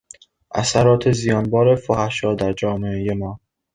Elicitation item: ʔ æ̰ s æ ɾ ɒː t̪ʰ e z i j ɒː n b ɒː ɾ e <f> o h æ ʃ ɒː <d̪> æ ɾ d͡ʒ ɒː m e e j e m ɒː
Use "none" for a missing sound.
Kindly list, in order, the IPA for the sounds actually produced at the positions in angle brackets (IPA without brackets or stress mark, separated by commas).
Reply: f, d̪